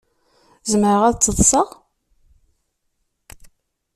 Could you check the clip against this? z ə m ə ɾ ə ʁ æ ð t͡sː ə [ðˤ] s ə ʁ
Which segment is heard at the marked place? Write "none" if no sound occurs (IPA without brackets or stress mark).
ðˤ